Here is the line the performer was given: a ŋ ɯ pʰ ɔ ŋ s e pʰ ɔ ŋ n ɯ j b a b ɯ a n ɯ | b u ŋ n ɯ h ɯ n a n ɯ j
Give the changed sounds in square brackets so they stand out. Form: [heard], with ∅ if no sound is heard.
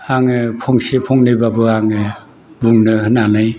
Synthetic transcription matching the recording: a ŋ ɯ pʰ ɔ ŋ s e pʰ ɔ ŋ n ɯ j b a b ɯ a [ŋ] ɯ | b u ŋ n ɯ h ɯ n a n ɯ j